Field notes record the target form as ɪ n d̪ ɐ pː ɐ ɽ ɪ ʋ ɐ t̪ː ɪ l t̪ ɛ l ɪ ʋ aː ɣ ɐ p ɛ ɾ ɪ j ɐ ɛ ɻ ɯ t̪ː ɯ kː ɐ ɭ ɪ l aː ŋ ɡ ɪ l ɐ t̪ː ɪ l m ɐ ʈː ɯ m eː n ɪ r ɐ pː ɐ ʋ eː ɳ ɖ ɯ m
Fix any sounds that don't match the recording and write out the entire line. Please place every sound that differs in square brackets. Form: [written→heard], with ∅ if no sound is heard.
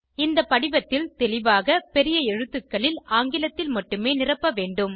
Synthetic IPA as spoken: ɪ n d̪ ɐ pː ɐ ɽ ɪ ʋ ɐ t̪ː ɪ l t̪ ɛ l ɪ ʋ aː ɣ ɐ p ɛ ɾ ɪ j ɐ ɛ ɻ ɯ t̪ː ɯ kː ɐ ɭ ɪ l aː ŋ ɡ ɪ l ɐ t̪ː ɪ l m ɐ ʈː ɯ m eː n ɪ r ɐ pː ɐ ʋ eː ɳ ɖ ɯ m